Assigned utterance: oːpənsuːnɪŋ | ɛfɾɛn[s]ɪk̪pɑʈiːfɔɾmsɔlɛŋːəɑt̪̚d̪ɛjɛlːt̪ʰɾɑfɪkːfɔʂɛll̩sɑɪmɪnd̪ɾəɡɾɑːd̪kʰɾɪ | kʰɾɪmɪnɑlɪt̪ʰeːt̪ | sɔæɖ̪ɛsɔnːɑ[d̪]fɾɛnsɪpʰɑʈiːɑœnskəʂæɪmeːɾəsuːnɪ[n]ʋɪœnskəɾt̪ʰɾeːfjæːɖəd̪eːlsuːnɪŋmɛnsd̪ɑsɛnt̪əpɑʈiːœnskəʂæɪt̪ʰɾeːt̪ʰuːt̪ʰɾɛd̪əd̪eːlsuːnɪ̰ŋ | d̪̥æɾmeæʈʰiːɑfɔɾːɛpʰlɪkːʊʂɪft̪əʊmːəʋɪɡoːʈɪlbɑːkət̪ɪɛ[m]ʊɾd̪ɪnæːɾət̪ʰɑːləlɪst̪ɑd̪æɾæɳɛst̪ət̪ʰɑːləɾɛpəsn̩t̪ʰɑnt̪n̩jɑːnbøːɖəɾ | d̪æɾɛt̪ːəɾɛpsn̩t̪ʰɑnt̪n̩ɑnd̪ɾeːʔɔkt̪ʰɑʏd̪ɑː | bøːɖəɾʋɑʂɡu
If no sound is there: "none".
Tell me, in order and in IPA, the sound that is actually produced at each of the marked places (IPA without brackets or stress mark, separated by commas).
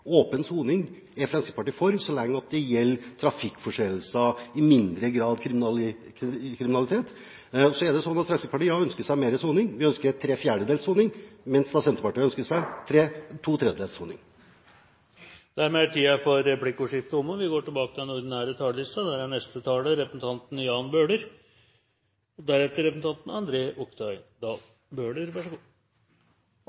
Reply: s, t̪, ŋ, n